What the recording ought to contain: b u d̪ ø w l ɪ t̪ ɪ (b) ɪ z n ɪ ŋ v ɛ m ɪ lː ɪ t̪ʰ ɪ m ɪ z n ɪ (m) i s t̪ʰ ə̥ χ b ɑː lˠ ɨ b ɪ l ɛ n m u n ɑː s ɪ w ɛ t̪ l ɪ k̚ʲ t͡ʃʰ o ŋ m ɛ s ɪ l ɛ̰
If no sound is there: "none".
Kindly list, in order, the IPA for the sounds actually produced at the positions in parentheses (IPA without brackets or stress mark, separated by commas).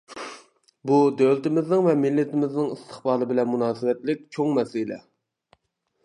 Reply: m, ŋ